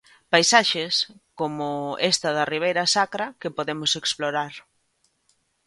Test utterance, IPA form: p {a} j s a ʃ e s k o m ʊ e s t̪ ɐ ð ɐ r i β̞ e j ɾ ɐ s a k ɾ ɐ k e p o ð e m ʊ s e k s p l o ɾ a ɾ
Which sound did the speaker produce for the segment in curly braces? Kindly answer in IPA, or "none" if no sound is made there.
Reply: a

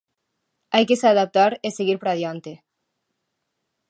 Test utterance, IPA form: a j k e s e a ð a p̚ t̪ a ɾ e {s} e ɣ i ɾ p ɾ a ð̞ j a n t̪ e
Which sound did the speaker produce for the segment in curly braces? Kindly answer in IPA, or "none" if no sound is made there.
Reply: s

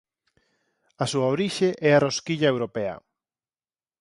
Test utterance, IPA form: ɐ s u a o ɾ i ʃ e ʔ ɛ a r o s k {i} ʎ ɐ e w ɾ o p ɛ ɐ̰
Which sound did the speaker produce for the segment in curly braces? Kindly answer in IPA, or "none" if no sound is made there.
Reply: i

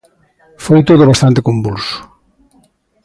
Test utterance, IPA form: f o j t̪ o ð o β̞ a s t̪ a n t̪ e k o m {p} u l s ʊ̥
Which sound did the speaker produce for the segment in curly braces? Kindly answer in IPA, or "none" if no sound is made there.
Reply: b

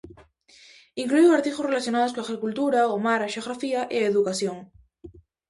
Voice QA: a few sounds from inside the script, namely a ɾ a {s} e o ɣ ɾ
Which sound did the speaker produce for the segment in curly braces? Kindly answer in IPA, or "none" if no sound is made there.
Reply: ʃ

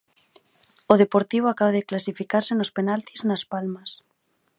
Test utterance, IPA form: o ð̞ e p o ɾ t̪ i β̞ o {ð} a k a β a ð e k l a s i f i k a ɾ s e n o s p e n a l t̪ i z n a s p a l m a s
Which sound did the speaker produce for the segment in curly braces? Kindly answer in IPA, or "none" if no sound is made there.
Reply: none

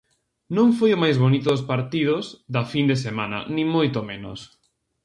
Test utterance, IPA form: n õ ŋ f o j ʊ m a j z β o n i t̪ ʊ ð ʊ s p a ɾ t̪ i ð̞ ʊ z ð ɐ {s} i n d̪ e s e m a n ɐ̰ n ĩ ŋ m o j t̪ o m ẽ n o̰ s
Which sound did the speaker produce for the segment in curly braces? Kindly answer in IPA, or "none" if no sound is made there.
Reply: f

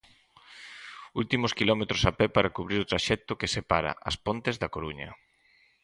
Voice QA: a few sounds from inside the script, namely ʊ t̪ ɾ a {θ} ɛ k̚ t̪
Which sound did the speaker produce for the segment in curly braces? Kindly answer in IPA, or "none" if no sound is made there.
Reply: ʃ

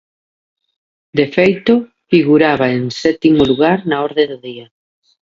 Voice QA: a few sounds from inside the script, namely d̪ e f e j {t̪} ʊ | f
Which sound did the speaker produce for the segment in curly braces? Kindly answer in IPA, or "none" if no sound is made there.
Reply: t̪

